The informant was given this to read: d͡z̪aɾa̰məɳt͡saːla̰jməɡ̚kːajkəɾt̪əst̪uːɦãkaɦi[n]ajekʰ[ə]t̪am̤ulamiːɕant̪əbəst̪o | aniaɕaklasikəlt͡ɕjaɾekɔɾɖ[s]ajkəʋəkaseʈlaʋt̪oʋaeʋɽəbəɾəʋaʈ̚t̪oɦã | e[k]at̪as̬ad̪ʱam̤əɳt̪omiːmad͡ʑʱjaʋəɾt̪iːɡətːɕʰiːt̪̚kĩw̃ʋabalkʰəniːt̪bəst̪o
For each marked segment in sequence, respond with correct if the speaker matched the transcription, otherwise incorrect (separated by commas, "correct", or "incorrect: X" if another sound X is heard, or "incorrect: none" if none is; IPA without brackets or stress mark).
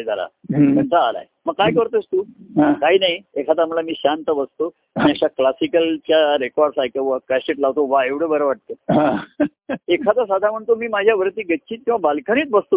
correct, incorrect: a, correct, incorrect: kʰ